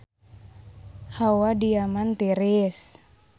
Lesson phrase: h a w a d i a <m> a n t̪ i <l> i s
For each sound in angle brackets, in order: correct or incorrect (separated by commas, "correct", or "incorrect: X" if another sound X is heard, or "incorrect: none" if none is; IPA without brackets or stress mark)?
correct, incorrect: ɾ